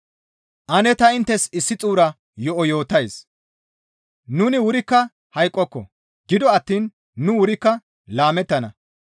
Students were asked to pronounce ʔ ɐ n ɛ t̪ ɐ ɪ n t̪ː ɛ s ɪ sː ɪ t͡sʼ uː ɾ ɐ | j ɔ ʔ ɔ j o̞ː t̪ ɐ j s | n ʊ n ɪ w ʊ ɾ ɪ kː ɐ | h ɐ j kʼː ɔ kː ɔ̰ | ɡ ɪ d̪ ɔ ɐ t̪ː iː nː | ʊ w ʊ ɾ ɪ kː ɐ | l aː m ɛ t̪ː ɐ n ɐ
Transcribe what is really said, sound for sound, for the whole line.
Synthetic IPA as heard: ʔ ɐ n ɛ t̪ ɐ ɪ n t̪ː ɛ s ɪ sː ɪ t͡sʼ uː ɾ ɐ | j ɔ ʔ ɔ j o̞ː t̪ ɐ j s | n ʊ n ɪ w ʊ ɾ ɪ kː ɐ | h ɐ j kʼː ɔ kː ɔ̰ | ɡ ɪ d̪ ɔ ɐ t̪ː iː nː | ʊ w ʊ ɾ ɪ kː ɐ | l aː m ɛ t̪ː ɐ n ɐ

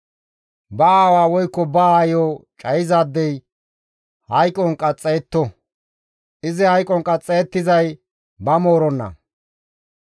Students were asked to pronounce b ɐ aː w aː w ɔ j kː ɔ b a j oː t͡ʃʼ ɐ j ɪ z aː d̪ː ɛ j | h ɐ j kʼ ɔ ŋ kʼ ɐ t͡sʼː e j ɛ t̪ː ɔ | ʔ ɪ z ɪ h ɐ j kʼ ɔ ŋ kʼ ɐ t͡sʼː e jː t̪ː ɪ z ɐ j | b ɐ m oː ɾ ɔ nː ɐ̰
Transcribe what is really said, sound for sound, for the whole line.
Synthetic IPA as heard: b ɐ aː w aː w ɔ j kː ɔ b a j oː t͡ʃʼ ɐ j ɪ z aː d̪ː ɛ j | h ɐ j kʼ ɔ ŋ kʼ ɐ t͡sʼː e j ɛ t̪ː ɔ | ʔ ɪ z ɪ h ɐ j kʼ ɔ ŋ kʼ ɐ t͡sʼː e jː t̪ː ɪ z ɐ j | b ɐ m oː ɾ ɔ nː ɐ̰

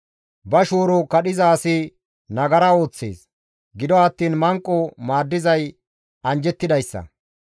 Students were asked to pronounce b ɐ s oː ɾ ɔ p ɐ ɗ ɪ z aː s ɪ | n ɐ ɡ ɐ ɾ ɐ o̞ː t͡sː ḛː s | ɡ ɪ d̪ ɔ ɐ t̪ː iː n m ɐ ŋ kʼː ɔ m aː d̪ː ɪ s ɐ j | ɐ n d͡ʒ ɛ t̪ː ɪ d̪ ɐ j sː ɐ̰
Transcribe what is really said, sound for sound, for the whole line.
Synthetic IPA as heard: b ɐ ʃ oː ɾ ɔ k ɐ ɗ ɪ z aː s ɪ | n ɐ ɡ ɐ ɾ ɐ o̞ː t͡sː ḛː s | ɡ ɪ d̪ ɔ ɐ t̪ː iː n m ɐ ŋ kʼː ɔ m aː d̪ː ɪ z ɐ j | ɐ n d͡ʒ ɛ t̪ː ɪ d̪ ɐ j sː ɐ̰

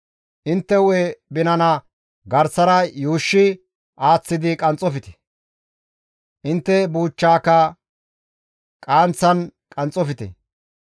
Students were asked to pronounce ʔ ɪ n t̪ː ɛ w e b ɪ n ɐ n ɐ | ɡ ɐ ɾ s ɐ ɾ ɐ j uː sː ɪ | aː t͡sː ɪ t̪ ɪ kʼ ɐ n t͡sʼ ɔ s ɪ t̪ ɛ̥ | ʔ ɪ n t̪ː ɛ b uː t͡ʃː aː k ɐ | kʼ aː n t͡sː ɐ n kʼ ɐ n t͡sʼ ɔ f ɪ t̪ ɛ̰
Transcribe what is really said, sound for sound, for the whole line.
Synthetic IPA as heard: ʔ ɪ n t̪ː ɛ w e b ɪ n ɐ n ɐ | ɡ ɐ ɾ s ɐ ɾ ɐ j uː ʃː ɪ | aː t͡sː ɪ d̪ ɪ kʼ ɐ n t͡sʼ ɔ f ɪ t̪ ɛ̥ | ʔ ɪ n t̪ː ɛ b uː t͡ʃː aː k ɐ | kʼ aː n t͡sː ɐ n kʼ ɐ n t͡sʼ ɔ f ɪ t̪ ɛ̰

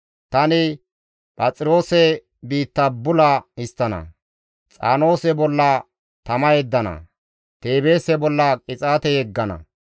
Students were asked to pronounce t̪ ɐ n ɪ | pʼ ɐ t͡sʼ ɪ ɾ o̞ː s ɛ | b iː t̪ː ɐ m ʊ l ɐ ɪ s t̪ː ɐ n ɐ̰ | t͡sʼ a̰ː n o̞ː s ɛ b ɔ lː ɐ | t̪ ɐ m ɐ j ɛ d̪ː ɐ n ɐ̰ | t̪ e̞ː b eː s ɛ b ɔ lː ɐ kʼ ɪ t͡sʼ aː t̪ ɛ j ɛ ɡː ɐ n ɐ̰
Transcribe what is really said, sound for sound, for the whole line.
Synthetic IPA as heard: t̪ ɐ n ɪ | pʼ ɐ t͡sʼ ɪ ɾ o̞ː s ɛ | b iː t̪ː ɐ b ʊ l ɐ ɪ s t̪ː ɐ n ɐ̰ | t͡sʼ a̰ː n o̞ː s ɛ b ɔ lː ɐ | t̪ ɐ m ɐ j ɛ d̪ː ɐ n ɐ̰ | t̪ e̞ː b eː s ɛ b ɔ lː ɐ kʼ ɪ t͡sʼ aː t̪ ɛ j ɛ ɡː ɐ n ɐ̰

